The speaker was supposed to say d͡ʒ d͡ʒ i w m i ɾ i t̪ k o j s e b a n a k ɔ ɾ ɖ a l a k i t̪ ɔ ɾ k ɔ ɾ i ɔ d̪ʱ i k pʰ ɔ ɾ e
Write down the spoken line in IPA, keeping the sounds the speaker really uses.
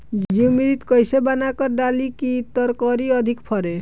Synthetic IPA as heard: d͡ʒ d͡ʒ i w m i ɾ i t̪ k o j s e b a n a k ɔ ɾ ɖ a l i k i t̪ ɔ ɾ k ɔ ɾ i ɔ d̪ʱ i k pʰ ɔ ɾ e